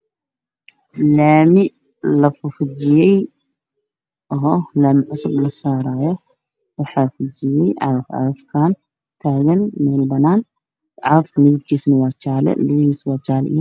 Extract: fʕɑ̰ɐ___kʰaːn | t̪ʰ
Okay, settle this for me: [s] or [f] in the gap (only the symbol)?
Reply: f